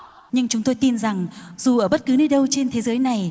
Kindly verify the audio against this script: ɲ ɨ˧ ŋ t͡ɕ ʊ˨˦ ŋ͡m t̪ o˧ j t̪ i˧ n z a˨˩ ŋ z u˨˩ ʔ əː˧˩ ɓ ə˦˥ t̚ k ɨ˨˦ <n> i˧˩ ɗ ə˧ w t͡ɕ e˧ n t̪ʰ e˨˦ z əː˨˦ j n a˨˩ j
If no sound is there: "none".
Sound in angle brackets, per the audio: n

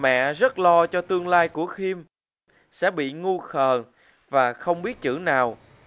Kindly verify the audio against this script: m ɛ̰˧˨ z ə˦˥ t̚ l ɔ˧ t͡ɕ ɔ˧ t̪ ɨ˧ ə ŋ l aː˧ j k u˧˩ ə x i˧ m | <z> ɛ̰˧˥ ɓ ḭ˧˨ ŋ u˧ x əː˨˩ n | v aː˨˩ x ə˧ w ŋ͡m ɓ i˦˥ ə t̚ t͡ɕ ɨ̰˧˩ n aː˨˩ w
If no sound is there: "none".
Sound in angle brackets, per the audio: s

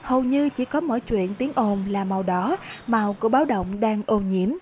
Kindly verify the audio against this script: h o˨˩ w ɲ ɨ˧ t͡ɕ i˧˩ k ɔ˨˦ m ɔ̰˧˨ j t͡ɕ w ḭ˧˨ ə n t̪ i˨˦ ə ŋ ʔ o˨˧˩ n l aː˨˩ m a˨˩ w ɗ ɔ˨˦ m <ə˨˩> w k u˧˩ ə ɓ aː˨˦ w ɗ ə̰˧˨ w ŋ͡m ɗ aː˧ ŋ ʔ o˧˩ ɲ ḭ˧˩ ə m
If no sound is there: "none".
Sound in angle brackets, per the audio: a˨˩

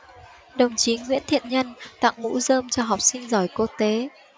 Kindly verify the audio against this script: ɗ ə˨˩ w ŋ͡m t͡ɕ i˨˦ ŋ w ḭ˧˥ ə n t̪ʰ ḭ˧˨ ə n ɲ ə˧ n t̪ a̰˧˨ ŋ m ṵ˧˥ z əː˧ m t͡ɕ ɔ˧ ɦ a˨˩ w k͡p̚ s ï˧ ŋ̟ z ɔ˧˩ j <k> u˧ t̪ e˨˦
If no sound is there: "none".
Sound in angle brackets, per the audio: k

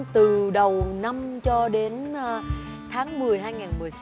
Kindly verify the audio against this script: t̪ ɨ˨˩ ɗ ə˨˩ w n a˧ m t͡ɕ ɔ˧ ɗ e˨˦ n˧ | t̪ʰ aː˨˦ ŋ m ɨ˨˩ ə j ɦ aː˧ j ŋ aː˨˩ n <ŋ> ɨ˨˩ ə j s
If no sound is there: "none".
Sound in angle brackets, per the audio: m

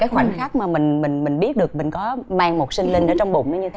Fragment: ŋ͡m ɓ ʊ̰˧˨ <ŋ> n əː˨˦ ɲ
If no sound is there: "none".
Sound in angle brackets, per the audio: ŋ͡m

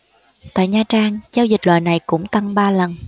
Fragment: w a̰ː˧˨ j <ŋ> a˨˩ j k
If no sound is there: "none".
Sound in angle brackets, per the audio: n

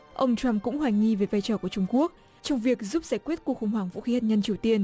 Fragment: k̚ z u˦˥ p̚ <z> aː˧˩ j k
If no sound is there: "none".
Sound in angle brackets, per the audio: z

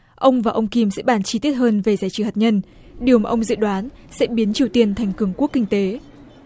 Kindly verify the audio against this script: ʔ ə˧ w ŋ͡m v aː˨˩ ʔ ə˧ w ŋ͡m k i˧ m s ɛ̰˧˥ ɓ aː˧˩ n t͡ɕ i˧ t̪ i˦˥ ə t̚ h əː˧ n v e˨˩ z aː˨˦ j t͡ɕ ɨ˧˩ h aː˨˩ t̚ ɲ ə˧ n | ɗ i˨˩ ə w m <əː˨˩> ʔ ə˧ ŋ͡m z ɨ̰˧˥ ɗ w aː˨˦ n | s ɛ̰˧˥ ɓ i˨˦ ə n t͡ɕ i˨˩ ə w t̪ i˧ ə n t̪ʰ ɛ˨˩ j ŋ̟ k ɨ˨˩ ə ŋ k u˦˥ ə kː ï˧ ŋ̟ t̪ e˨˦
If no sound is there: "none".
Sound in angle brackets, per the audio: aː˨˩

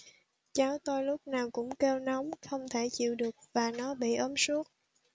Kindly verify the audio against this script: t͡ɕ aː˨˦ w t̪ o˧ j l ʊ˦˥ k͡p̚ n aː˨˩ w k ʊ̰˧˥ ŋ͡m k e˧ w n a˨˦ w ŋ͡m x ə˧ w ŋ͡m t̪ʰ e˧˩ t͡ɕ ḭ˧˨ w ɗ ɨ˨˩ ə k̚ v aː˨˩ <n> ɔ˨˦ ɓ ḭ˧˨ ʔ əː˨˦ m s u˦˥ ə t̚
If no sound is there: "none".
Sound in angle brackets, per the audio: n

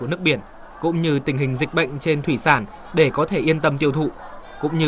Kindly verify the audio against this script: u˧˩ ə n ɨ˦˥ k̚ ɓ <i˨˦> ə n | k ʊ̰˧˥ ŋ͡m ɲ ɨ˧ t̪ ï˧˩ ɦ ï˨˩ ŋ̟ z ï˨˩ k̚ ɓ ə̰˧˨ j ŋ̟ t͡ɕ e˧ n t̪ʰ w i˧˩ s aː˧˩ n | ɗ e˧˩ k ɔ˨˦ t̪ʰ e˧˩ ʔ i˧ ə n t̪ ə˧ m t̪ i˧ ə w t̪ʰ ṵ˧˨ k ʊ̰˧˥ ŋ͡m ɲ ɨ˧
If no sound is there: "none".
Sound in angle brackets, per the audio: i˧˩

